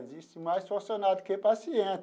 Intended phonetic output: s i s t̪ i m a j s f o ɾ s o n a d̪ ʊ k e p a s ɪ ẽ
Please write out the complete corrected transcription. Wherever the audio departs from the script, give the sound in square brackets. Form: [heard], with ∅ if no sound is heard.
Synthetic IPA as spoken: [z] i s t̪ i m a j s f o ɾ s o n a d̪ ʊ k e p a s [i] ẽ